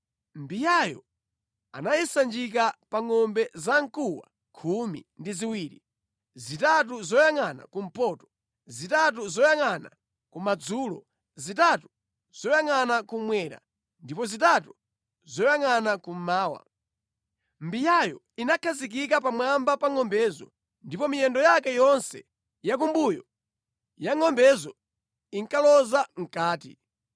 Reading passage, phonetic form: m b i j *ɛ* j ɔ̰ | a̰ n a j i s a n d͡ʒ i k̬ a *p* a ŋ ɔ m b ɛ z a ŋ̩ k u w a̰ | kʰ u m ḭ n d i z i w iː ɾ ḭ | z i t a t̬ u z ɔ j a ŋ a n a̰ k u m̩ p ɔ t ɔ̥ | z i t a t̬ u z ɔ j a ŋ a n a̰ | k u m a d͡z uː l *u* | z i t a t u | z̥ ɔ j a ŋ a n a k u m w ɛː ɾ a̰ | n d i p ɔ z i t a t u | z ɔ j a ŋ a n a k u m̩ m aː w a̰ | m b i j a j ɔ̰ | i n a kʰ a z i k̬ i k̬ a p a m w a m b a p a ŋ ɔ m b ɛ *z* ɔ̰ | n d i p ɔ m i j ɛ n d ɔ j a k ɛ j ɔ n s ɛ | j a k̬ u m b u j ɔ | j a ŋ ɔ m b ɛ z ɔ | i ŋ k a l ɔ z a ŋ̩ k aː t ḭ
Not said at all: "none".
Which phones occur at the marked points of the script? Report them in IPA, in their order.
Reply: a, p, ɔ, z

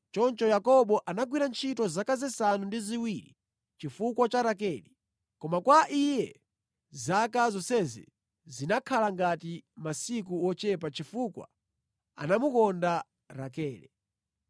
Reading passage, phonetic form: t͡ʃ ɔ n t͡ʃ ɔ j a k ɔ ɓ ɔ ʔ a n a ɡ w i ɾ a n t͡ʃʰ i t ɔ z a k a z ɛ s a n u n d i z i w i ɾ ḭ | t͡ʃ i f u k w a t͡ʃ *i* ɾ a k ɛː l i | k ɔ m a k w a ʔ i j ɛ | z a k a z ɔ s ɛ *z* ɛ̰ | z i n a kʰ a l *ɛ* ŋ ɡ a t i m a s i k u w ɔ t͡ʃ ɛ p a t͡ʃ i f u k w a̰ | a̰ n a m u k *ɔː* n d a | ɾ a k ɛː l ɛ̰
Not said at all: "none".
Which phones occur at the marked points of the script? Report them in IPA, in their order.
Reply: a, z, a, ɔ

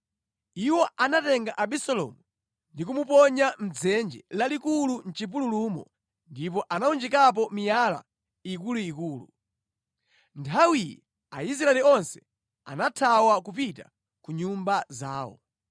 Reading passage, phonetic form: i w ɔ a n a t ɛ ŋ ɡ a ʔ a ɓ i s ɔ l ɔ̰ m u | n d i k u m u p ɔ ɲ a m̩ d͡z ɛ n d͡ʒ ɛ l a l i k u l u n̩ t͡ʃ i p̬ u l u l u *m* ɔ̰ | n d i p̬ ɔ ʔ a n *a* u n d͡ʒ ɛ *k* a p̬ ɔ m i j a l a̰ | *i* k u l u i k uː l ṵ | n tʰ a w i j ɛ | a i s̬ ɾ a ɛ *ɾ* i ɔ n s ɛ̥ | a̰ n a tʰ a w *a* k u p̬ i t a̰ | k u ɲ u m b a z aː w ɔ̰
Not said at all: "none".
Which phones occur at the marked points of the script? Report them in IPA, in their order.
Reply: m, a, k, i, l, a

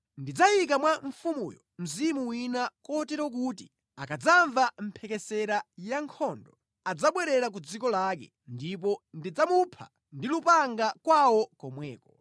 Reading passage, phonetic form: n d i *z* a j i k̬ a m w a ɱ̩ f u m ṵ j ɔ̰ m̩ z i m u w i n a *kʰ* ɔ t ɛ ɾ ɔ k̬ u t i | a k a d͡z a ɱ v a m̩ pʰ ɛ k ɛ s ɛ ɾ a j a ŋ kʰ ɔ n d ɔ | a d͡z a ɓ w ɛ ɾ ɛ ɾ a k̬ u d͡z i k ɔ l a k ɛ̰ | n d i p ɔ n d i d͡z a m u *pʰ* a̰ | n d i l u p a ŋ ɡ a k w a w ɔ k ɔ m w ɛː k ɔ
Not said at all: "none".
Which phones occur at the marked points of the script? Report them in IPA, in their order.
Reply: d͡z, k, pʰ

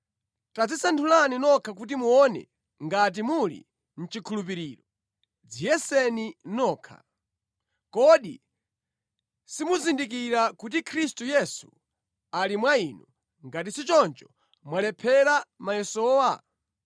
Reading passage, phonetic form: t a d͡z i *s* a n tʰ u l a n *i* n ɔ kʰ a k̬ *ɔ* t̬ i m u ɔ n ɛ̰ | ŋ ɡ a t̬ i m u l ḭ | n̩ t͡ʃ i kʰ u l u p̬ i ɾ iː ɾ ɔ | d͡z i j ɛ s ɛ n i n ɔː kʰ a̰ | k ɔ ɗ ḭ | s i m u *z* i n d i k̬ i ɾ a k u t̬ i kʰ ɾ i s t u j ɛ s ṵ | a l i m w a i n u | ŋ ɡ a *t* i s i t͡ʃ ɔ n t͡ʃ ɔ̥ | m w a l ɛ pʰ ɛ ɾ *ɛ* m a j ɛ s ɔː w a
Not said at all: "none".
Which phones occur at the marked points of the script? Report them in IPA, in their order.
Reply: s, i, u, z, t, a

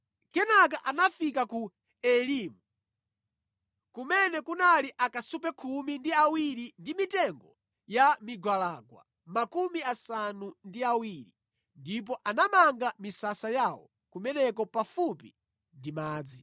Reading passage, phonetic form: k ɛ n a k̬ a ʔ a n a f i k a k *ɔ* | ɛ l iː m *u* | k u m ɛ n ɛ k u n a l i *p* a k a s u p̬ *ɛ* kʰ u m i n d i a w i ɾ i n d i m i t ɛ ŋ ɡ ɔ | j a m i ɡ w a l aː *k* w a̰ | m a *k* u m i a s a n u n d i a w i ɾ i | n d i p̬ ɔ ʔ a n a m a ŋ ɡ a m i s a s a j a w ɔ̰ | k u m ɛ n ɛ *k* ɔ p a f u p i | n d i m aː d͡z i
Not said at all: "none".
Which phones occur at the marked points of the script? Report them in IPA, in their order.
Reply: u, u, ʔ, ɛ, ɡ, k, k

